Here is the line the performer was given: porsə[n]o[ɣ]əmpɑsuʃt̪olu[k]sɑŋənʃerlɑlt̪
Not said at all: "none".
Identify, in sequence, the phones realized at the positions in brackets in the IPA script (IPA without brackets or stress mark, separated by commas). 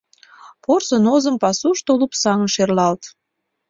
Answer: n, z, p